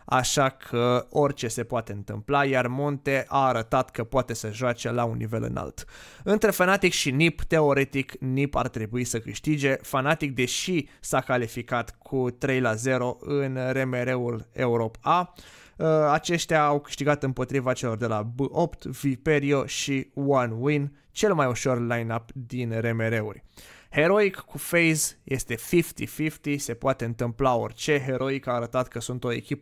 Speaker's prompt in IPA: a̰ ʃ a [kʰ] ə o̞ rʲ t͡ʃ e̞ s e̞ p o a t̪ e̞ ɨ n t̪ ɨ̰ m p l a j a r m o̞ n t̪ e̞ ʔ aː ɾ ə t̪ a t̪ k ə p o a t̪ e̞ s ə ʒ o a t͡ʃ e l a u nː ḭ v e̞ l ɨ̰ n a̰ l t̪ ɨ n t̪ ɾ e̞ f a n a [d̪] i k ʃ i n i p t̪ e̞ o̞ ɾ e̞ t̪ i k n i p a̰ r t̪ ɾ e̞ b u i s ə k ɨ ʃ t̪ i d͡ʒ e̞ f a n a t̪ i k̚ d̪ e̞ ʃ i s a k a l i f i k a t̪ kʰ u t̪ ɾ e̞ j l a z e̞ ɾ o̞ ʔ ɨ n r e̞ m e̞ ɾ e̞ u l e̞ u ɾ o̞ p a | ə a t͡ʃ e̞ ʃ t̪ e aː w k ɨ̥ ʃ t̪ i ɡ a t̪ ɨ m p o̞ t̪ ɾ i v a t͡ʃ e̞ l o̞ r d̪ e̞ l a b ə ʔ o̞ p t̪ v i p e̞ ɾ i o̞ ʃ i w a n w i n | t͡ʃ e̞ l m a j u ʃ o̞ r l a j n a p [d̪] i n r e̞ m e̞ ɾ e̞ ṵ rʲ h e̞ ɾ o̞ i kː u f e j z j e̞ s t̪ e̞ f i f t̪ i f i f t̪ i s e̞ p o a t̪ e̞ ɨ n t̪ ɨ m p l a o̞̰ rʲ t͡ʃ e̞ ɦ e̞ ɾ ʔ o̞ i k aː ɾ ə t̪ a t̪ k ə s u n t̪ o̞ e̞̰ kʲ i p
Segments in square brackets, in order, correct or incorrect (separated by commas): correct, incorrect, correct